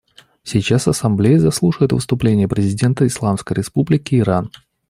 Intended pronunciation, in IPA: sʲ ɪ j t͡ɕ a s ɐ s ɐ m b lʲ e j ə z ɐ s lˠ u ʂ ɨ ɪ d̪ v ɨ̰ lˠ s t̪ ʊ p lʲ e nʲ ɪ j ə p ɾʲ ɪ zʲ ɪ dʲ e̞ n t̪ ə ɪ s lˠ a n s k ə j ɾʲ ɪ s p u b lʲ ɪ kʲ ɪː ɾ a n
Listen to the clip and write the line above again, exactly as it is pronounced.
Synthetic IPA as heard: sʲ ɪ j t͡ɕ a s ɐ s ɐ m b lʲ e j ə z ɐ s lˠ u ʂ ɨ ɪ t̪ v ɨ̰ s t̪ ʊ p lʲ e nʲ ɪ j ə p ɾʲ ɪ zʲ ɪ dʲ e̞ n t̪ ə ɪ s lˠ a m s k ə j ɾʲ ɪ s p u b lʲ ɪ kʲ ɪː ɾ a n

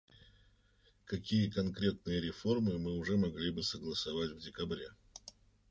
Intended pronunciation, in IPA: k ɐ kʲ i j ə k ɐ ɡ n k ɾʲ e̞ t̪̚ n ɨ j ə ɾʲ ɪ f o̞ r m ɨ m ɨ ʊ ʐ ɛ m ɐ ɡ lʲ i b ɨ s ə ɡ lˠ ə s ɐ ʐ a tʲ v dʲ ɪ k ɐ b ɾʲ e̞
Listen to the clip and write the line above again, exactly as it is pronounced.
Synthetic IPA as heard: k ɐ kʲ i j ə k ɐ n k ɾʲ e̞ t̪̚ n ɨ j ə ɾʲ ɪ f o̞ r m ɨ m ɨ ʊ ʐ ɛ m ɐ ɡ lʲ i b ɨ s ə ɡ lˠ ə s ɐ v a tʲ v dʲ ɪ k ɐ b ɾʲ e̞

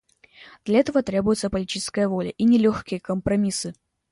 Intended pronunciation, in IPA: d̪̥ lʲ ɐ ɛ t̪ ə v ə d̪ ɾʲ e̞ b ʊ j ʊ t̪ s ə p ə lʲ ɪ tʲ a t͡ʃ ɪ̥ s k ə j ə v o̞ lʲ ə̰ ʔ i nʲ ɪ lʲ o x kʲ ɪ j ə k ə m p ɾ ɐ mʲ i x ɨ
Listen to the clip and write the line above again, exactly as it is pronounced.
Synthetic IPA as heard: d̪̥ lʲ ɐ ɛ t̪ ə v ə t̪ ɾʲ e̞ b ʊ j ʊ t̪ s ə p ə lʲ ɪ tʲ i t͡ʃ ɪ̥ s k ə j ə v o̞ lʲ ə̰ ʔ i nʲ ɪ lʲ o x kʲ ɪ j ə k ə m p ɾ ɐ mʲ i s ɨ

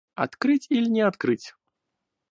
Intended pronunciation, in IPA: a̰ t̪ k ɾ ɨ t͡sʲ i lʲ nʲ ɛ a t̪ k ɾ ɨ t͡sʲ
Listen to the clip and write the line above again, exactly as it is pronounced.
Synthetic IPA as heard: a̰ t̪ k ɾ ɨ t͡sʲ i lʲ nʲ ɛ a t̪ k ɾ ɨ t͡sʲ

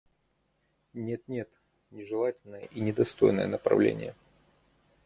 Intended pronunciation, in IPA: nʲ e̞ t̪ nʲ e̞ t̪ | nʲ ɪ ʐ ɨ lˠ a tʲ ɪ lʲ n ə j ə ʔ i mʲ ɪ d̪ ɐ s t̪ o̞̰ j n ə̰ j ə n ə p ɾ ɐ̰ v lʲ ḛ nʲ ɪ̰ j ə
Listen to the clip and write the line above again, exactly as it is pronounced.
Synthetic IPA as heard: nʲ e̞ t̪ nʲ e̞ t̪ | nʲ ɪ ʐ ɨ lˠ a tʲ ɪ lʲ n ə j ə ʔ i nʲ ɪ d̪ ɐ s t̪ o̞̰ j n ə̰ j ə n ə p ɾ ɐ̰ v lʲ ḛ nʲ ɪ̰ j ə

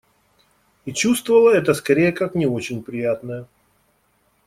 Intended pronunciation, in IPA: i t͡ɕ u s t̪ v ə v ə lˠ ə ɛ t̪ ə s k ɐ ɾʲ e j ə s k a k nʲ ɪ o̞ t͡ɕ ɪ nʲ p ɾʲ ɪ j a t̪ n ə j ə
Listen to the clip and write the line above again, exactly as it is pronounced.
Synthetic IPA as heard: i t͡ɕ u s t̪ v ə v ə lˠ ə ɛ t̪ ə s k ɐ ɾʲ e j ə k a k nʲ ɪ o̞ t͡ɕ ɪ nʲ p ɾʲ ɪ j a t̪ n ə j ə

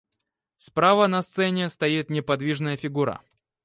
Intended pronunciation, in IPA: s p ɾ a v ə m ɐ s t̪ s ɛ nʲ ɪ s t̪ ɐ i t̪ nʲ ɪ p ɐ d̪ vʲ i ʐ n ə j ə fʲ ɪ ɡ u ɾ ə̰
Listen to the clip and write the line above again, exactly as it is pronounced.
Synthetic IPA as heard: s p ɾ a v ə n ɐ s t̪ s ɛ nʲ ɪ s t̪ ɐ i t̪ nʲ ɪ p ɐ d̪ vʲ i ʐ n ə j ə fʲ ɪ ɡ u ɾ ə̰

